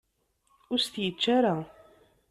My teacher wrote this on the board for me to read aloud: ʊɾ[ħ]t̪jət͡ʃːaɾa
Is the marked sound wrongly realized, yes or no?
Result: yes